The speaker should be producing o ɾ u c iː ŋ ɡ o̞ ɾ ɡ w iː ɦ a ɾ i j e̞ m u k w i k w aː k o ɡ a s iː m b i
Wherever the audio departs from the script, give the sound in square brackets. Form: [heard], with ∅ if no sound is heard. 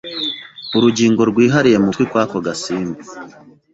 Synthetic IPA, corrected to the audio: [u] ɾ u [ɟ] iː ŋ ɡ o̞ ɾ ɡ w iː ɦ a ɾ i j e̞ m u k w i k w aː k o ɡ a s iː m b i